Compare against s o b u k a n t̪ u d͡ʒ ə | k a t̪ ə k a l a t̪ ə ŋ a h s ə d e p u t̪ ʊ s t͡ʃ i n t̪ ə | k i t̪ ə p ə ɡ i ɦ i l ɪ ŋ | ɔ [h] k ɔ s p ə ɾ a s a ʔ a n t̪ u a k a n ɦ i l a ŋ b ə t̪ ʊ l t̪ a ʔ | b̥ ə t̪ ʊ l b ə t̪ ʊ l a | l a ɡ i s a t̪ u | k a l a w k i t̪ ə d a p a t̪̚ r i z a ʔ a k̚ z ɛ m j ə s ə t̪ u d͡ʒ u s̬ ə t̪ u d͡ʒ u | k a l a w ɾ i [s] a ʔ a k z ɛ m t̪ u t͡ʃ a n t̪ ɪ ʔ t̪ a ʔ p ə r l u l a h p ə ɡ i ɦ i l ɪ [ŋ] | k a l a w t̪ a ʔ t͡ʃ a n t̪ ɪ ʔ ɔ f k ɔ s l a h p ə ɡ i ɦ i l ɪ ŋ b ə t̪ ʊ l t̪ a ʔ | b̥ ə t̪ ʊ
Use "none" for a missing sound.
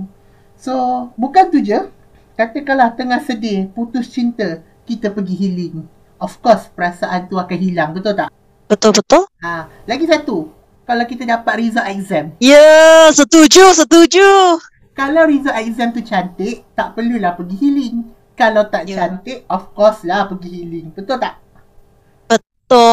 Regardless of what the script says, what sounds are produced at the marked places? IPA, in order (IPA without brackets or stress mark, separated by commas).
f, z, ŋ